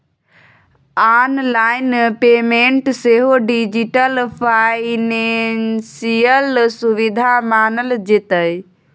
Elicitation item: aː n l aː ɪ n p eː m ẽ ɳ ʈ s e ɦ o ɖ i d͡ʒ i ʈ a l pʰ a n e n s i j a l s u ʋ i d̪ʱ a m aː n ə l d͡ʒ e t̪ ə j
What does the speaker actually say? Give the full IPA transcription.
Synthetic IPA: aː n l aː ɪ n p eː m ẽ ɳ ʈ s e ɦ o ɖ i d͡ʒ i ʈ ə l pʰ a n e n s i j ə l s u ʋ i d̪ʱ a m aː n ə l d͡ʒ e t̪ ə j